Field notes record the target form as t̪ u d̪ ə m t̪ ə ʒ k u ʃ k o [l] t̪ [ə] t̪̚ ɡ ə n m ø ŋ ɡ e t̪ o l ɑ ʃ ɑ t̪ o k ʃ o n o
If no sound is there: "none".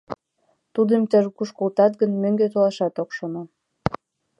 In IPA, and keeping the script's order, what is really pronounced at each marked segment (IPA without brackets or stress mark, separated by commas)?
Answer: l, ɑ